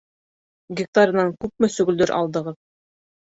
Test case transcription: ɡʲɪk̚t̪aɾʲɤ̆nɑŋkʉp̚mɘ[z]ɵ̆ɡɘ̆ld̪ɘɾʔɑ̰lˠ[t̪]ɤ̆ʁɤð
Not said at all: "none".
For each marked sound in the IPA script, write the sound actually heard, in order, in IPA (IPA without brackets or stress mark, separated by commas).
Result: s, d̪